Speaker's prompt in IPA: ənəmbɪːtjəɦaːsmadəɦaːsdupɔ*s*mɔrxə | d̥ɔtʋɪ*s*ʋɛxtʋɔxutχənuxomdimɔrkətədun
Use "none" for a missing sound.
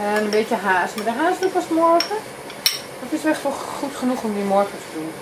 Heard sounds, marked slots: s, s

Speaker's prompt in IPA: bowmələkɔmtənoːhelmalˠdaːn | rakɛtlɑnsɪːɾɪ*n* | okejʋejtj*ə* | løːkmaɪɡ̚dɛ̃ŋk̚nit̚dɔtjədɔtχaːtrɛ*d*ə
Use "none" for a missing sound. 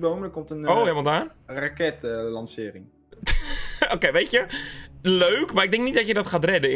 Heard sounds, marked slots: ŋ, ə, d

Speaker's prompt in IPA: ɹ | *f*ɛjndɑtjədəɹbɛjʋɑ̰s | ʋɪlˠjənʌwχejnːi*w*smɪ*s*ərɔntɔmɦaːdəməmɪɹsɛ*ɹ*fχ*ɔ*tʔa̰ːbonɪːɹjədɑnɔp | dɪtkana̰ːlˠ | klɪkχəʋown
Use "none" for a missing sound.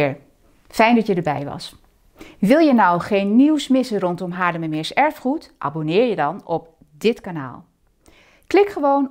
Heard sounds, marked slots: f, w, s, ɹ, u

